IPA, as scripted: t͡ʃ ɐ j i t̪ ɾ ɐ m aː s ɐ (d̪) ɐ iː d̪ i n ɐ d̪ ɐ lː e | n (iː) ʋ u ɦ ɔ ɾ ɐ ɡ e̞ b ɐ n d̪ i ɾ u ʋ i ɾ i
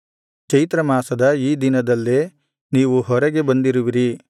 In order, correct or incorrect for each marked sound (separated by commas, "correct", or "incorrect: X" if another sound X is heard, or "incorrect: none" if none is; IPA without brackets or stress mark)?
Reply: correct, correct